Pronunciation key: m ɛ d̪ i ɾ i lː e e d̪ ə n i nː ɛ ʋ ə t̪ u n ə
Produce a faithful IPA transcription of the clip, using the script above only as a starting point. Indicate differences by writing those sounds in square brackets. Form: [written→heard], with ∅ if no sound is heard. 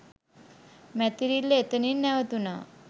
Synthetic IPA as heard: m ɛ [d̪→t̪] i ɾ i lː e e [d̪→t̪] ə n i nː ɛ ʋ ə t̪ u n [ə→a]